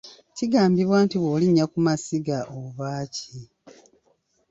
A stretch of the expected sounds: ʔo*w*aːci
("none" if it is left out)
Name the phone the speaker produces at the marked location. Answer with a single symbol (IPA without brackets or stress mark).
β